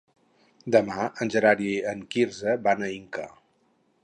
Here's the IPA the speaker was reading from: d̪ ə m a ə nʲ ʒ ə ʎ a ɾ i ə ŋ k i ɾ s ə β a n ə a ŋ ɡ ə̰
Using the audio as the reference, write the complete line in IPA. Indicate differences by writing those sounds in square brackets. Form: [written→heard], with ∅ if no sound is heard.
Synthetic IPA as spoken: d̪ ə m a ə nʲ ʒ ə [ʎ→ɾ] a ɾ i ə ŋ k i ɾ [s→z] ə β a n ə [a→i] ŋ [ɡ→k] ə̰